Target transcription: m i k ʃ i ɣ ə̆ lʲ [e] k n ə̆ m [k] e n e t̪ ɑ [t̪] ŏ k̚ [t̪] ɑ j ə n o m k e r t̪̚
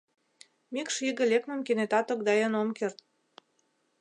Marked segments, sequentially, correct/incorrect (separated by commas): correct, correct, correct, incorrect